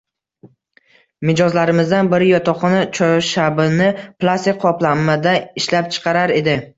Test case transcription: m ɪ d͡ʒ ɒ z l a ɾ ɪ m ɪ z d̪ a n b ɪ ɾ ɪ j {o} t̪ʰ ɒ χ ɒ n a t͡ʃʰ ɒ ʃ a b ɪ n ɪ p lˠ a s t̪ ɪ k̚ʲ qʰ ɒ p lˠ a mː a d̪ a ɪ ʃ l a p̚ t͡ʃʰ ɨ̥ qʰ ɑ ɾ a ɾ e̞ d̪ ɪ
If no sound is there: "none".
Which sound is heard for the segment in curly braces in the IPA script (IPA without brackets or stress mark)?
ɒ